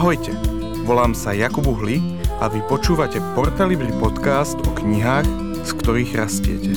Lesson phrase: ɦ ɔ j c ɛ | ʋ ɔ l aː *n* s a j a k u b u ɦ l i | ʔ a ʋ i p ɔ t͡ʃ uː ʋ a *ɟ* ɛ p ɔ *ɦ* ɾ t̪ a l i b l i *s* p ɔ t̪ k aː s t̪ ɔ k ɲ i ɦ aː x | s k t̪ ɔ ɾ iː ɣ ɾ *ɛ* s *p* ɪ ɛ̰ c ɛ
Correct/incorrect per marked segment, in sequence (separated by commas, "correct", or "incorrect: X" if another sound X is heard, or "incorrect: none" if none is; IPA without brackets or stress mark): incorrect: m, incorrect: c, incorrect: none, incorrect: none, incorrect: a, incorrect: c